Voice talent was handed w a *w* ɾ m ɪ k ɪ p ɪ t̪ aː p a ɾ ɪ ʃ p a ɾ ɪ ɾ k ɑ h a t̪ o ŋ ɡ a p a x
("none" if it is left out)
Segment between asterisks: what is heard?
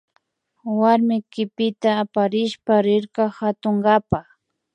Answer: none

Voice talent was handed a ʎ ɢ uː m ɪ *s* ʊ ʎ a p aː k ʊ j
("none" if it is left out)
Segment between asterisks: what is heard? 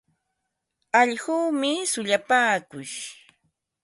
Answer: s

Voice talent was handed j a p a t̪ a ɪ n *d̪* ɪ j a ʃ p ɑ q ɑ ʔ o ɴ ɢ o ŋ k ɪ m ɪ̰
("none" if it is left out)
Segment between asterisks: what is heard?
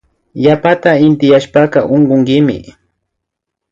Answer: t̪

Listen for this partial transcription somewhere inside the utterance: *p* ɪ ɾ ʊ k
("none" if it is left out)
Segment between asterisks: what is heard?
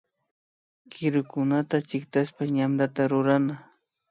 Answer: k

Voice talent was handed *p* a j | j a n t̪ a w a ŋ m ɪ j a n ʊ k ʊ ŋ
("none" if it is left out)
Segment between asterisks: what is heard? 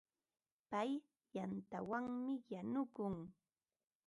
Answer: p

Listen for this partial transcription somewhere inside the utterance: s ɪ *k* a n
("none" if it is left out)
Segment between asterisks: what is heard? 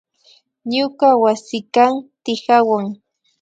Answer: k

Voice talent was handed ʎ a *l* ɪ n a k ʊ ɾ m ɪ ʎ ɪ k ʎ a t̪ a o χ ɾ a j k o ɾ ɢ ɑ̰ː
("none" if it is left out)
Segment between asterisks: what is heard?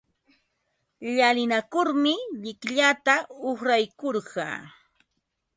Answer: l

